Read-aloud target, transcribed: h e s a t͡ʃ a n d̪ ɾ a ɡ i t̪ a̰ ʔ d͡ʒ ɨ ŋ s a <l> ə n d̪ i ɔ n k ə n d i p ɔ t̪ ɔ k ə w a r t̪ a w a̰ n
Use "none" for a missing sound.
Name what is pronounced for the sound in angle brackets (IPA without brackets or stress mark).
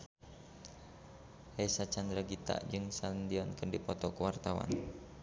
l